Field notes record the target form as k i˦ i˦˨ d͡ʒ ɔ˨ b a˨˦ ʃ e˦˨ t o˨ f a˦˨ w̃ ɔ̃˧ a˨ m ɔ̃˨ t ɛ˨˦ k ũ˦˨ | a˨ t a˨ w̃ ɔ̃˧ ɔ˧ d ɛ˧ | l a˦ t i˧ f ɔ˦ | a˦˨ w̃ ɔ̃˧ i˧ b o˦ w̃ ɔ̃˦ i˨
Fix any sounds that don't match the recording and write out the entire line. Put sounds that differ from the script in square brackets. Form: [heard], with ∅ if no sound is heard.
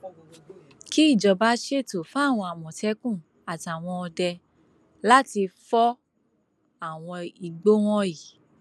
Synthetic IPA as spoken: k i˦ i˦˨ d͡ʒ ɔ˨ b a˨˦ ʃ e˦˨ t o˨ f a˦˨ w̃ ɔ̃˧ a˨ m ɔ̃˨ t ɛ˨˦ k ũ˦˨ | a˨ t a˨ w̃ ɔ̃˧ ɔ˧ d ɛ˧ | l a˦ t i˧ f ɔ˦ | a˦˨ w̃ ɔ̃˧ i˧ [ɡ͡b] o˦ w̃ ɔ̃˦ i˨